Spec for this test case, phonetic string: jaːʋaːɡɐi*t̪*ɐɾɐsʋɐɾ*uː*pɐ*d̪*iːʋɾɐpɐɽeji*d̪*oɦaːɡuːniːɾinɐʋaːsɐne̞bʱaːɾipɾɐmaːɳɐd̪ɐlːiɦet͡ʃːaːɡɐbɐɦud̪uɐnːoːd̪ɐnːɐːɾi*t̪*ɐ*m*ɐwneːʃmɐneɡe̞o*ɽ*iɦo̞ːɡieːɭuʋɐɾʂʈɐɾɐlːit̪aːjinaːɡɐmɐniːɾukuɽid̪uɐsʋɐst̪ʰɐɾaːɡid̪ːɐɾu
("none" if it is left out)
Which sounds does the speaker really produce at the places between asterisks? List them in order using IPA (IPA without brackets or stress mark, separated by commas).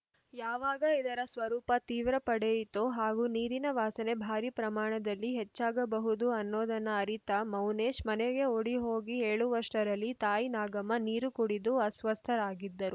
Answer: d̪, uː, t̪, t̪, t̪, m, ɽ